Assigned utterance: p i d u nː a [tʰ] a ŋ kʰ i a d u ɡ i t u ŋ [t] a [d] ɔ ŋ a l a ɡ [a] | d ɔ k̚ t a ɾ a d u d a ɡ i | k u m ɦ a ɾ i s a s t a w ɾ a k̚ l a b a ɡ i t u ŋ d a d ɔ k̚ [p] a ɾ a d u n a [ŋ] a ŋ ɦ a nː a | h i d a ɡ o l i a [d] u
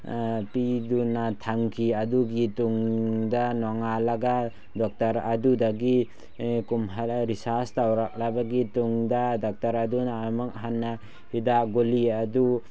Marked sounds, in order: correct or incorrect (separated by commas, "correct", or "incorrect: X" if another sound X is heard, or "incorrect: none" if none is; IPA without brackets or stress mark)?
correct, incorrect: d, incorrect: n, correct, incorrect: t, incorrect: m, correct